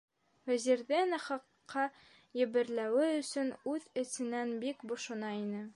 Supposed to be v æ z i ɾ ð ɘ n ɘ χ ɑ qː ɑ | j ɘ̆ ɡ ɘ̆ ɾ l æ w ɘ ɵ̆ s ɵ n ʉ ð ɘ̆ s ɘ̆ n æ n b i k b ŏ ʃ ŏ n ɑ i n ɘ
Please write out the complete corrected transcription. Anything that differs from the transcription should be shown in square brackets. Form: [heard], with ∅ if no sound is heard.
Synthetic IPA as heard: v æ z i ɾ ð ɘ n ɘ χ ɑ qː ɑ | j ɘ̆ [b] ɘ̆ ɾ l æ w ɘ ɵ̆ s ɵ n ʉ ð ɘ̆ s ɘ̆ n æ n b i k b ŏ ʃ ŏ n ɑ i n ɘ